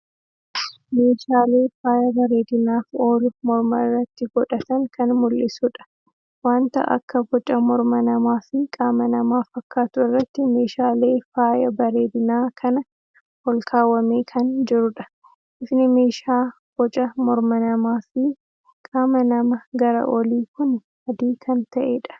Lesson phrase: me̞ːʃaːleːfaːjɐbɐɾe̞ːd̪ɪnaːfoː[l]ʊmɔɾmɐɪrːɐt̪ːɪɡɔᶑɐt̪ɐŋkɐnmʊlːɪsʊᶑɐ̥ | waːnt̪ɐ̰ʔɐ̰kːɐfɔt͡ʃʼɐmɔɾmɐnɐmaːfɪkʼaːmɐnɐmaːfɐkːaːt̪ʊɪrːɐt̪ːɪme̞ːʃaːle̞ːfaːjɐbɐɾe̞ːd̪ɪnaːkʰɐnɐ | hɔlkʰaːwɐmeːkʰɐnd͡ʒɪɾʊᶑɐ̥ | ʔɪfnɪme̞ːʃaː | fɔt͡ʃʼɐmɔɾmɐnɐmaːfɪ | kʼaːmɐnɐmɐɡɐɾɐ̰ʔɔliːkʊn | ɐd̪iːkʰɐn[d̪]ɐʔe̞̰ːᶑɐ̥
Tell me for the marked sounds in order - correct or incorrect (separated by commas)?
correct, incorrect